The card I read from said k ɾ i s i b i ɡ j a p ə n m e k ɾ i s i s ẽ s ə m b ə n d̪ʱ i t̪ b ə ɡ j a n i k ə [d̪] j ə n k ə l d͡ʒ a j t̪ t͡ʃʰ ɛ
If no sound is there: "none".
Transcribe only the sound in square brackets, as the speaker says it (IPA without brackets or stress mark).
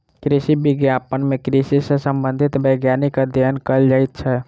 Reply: d̪